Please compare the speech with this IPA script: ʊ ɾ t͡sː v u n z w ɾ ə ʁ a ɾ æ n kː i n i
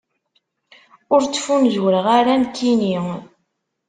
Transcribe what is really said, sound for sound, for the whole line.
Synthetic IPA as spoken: ʊ ɾ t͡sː f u n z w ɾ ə ʁ a ɾ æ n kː i n i